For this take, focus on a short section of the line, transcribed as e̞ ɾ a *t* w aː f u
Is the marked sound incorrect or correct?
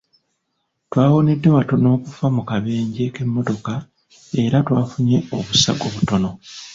correct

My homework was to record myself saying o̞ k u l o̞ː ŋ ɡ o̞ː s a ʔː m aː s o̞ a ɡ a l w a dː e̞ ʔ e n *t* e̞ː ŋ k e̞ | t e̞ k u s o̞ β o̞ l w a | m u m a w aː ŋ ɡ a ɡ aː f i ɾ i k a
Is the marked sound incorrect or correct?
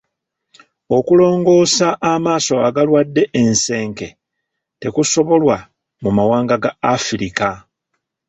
incorrect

